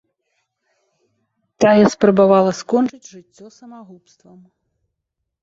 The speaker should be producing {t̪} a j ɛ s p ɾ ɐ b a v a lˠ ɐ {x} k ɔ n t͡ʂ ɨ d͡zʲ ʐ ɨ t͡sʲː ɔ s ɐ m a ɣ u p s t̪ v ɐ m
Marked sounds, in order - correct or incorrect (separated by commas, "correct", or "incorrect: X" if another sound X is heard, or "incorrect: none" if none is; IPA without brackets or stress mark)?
correct, incorrect: s